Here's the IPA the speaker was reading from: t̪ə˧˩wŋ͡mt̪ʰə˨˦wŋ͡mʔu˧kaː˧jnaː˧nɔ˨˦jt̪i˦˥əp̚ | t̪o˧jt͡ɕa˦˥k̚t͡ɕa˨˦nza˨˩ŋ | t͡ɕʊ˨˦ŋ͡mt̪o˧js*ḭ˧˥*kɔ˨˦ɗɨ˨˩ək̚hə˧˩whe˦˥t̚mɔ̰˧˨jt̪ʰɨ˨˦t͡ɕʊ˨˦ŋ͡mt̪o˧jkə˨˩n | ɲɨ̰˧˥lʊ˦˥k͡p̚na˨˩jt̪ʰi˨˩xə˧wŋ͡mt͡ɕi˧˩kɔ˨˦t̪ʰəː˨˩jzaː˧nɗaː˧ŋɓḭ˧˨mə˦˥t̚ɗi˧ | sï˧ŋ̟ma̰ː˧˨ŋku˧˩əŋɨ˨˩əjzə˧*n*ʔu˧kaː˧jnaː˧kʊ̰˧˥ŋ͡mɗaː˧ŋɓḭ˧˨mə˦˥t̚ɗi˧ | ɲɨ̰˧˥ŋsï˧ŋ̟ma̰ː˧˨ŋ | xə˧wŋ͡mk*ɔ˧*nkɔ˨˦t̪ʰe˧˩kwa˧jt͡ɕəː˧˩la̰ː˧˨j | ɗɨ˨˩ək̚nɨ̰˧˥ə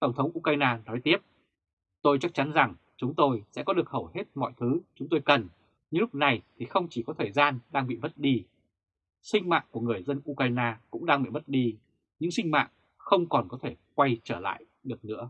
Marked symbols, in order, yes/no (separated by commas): no, yes, no